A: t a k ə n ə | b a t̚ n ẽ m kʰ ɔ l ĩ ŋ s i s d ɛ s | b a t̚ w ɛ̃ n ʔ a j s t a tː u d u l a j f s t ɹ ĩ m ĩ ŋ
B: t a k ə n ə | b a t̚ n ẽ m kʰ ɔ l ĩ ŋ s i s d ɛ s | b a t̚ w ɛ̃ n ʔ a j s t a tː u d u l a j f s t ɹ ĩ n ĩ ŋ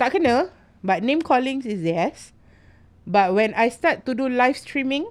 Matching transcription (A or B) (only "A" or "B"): A